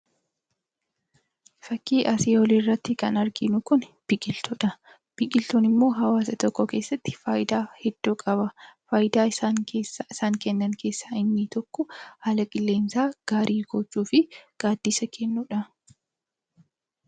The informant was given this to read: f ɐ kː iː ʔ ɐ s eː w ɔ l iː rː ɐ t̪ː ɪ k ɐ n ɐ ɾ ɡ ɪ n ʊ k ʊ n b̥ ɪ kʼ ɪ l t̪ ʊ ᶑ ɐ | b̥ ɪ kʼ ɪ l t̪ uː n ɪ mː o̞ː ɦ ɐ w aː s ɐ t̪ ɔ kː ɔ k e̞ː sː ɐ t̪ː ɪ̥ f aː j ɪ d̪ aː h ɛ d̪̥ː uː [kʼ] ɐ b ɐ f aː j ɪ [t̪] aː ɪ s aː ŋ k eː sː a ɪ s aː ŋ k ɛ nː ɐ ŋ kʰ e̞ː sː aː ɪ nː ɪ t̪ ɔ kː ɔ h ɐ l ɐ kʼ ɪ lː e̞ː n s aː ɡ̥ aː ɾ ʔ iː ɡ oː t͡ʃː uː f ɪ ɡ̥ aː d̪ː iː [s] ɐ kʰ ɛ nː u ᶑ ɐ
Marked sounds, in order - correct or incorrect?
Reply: correct, incorrect: d̪, correct

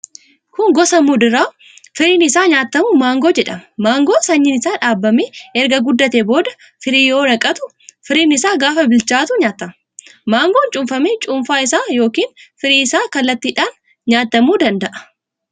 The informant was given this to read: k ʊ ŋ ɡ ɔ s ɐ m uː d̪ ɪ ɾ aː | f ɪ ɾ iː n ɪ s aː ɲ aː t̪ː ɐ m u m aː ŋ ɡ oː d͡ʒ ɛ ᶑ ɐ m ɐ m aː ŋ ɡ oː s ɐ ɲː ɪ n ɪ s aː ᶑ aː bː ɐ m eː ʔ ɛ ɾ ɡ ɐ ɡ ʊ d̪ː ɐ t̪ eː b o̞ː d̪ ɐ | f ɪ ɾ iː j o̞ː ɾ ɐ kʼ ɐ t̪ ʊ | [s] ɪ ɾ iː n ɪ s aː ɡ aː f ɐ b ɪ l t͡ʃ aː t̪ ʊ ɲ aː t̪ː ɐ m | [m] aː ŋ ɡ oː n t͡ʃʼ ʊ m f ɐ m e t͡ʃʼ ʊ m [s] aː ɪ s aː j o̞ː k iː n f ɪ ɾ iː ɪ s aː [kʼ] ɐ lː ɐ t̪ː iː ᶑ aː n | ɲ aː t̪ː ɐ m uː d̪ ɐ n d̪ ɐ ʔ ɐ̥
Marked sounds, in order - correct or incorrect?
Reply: incorrect: f, correct, incorrect: f, incorrect: k

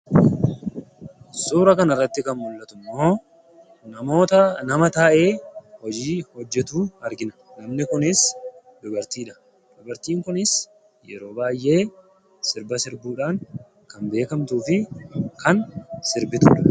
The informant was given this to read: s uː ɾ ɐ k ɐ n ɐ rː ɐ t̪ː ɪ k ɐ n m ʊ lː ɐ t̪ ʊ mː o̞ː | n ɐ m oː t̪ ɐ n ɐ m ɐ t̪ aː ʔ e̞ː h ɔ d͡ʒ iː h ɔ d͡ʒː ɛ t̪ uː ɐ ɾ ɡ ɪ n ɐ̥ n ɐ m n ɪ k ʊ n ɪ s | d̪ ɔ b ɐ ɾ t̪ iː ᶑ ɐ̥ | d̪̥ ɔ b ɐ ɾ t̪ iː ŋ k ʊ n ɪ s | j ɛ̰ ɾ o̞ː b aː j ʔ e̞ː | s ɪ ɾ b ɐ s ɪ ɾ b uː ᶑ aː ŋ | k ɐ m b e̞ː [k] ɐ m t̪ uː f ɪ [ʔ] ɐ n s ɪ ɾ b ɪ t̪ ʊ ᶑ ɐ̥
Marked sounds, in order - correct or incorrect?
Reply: correct, incorrect: k

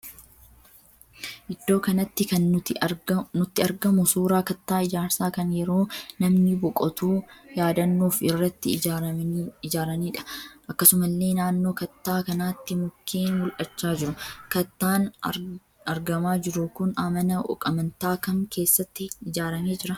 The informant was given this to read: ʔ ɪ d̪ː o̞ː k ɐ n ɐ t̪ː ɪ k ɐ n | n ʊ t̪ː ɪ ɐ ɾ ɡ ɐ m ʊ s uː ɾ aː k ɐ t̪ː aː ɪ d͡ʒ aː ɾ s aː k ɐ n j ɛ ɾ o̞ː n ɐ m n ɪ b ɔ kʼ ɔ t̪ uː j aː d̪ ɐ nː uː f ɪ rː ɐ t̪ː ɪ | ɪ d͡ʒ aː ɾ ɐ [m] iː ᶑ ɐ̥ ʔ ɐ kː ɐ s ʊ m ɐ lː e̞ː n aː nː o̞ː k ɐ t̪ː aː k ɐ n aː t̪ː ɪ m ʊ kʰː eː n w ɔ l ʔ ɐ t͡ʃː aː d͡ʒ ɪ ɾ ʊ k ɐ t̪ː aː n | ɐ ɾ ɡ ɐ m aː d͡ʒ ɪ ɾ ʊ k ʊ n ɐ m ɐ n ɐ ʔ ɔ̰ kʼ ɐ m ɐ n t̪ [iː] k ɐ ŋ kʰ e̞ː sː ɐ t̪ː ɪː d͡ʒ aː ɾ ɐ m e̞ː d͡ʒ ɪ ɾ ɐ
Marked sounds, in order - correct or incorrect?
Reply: incorrect: n, incorrect: aː

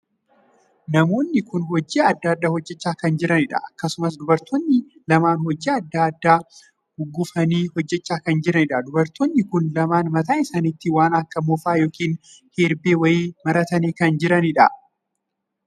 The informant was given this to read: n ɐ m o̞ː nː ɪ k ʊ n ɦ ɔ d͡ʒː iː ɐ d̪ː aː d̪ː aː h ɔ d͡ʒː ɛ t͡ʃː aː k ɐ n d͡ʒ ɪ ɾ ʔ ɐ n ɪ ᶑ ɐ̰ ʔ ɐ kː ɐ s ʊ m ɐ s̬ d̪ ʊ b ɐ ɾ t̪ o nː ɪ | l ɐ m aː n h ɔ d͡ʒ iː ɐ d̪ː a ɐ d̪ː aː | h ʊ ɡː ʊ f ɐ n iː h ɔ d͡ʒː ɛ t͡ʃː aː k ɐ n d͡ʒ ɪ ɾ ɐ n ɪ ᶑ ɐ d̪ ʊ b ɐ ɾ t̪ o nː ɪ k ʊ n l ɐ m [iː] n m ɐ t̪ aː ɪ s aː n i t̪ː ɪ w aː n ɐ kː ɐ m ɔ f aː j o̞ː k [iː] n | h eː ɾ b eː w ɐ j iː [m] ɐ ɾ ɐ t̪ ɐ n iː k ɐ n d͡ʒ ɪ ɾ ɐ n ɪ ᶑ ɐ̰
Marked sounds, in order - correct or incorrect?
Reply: incorrect: aː, correct, correct

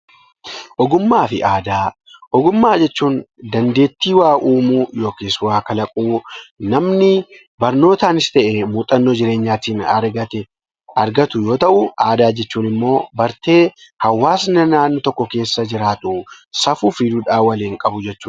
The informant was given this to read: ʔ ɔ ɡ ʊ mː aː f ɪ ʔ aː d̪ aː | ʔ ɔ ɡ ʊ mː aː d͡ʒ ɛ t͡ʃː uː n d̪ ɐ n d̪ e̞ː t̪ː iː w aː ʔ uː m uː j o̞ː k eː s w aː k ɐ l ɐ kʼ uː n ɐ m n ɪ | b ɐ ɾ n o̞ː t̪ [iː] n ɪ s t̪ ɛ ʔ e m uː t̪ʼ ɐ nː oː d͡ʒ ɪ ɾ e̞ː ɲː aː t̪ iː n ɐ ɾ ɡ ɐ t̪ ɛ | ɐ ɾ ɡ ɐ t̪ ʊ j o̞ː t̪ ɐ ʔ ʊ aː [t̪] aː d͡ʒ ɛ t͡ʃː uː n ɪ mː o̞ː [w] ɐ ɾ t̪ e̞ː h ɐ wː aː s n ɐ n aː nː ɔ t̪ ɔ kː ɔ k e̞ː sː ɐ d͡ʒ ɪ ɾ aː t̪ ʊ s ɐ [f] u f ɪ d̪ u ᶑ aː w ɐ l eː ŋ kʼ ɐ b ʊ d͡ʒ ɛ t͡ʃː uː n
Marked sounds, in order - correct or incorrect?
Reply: incorrect: aː, incorrect: d̪, incorrect: b, correct

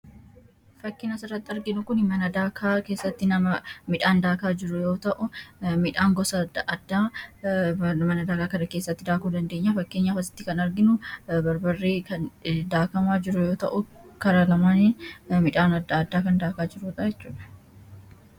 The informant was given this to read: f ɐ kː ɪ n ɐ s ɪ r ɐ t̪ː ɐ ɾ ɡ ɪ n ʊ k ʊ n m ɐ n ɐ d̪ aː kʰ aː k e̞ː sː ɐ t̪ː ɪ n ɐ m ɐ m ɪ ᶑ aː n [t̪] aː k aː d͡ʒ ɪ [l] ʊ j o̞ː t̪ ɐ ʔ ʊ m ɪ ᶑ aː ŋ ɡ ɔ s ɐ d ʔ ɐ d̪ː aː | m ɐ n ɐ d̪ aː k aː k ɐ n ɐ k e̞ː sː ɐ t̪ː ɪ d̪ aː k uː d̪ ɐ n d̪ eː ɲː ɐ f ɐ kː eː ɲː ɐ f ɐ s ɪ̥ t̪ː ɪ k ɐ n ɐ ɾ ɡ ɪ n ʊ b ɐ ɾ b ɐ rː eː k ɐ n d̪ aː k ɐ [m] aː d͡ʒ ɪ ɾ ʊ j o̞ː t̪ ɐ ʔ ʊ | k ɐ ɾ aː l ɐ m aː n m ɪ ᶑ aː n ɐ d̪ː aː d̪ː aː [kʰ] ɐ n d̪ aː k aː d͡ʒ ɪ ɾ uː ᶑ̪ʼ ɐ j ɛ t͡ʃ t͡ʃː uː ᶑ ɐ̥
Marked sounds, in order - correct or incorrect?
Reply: incorrect: d̪, incorrect: ɾ, correct, incorrect: k

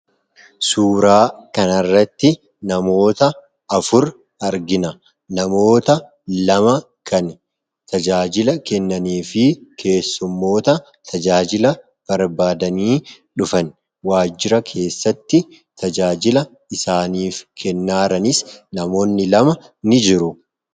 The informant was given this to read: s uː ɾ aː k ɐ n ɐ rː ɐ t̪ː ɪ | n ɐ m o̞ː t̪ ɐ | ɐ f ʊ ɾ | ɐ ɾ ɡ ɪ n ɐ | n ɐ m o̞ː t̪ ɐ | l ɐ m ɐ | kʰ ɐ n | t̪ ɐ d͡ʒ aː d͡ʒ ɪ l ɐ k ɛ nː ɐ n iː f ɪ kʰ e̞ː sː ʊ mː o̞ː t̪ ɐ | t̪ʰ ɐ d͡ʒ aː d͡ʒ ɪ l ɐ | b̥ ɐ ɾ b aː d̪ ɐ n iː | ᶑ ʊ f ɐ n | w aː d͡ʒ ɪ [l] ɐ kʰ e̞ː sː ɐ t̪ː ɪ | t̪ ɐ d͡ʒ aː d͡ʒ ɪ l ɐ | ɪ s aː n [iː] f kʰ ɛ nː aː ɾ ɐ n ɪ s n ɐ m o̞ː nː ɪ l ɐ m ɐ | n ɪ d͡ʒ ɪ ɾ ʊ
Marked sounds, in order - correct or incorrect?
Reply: incorrect: ɾ, correct

